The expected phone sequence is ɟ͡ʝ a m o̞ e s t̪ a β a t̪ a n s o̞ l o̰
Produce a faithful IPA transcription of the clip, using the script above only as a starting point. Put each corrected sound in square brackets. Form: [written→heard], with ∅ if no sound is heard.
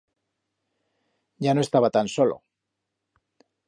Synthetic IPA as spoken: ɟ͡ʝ a [m→n] o̞ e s t̪ a β a t̪ a n s o̞ l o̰